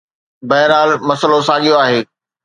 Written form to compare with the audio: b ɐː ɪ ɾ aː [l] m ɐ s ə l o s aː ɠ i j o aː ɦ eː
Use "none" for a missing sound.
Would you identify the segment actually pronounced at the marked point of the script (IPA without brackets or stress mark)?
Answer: l